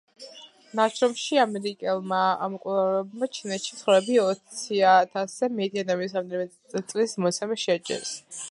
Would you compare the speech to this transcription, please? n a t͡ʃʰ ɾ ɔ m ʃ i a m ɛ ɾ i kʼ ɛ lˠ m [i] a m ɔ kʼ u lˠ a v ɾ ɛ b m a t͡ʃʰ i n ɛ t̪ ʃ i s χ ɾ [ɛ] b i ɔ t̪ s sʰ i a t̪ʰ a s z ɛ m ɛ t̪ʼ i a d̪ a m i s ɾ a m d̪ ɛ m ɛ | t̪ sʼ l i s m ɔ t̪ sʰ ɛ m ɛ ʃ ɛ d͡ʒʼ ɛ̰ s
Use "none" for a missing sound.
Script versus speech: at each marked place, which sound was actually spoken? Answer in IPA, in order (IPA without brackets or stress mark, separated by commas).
a, ɛ